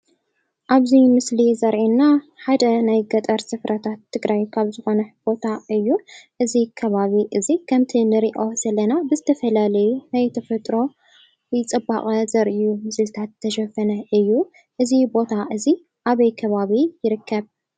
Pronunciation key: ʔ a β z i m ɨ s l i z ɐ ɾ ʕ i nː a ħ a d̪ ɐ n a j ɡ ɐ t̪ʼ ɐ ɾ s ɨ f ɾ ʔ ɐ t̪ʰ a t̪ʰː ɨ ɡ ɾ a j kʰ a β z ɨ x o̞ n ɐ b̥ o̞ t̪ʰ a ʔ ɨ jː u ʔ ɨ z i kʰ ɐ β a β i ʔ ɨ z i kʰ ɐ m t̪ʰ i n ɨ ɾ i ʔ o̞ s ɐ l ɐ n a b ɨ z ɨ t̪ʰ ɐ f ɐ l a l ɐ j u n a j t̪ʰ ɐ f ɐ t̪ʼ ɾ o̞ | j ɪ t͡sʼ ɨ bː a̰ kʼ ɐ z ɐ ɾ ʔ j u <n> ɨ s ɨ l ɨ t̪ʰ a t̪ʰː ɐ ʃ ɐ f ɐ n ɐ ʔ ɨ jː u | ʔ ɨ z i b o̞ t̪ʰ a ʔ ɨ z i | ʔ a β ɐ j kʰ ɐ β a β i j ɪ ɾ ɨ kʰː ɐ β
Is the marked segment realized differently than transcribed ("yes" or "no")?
yes